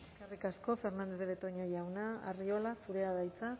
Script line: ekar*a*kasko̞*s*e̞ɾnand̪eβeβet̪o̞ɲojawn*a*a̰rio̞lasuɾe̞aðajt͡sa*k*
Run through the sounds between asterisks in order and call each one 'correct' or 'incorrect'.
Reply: incorrect, incorrect, correct, incorrect

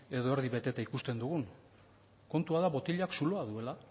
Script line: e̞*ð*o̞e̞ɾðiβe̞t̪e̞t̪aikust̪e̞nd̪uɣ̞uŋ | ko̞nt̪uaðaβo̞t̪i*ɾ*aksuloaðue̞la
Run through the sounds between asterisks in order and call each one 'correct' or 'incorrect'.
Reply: correct, incorrect

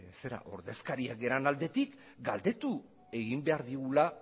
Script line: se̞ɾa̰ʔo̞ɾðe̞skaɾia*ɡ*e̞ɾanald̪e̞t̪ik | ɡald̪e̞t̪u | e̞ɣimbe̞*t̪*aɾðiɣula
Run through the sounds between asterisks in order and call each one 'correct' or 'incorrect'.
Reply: correct, incorrect

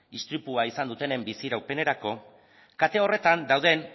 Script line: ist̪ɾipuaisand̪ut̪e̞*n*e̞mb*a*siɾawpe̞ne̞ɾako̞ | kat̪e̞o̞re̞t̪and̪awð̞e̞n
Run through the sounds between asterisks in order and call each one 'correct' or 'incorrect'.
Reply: correct, incorrect

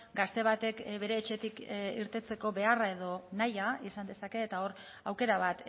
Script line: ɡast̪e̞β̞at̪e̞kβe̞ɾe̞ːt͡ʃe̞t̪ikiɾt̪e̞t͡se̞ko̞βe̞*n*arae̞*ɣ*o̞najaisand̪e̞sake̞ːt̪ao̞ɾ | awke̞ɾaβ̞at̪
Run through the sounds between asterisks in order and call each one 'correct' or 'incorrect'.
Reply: incorrect, incorrect

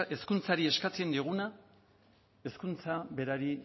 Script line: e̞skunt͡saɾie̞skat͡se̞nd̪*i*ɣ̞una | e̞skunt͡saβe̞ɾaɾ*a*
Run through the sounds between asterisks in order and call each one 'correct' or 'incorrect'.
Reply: correct, incorrect

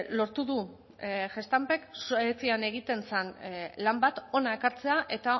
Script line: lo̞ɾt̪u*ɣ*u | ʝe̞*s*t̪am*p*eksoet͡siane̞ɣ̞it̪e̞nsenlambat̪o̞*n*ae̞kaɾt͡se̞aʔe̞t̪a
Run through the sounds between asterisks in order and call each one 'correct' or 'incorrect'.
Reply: incorrect, correct, correct, correct

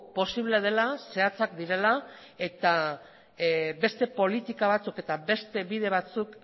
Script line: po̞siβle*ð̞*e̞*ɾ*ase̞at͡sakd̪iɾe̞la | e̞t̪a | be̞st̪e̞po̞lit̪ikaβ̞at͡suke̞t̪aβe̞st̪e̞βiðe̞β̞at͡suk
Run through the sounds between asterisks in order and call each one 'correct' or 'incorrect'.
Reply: correct, incorrect

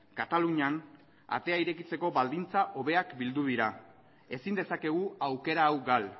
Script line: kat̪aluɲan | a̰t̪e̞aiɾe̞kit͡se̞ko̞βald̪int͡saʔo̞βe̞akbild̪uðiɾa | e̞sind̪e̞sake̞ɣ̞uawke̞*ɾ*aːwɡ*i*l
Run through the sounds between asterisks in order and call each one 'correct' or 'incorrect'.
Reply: correct, incorrect

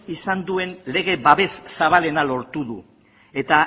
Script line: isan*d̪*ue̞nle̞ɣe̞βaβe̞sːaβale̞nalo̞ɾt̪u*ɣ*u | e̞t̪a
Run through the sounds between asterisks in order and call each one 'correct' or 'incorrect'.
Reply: correct, incorrect

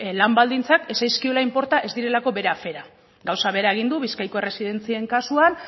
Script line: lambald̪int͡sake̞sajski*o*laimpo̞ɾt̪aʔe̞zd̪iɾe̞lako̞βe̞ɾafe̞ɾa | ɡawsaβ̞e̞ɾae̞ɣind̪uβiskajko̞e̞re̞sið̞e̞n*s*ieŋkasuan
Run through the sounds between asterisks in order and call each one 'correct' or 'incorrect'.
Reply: correct, incorrect

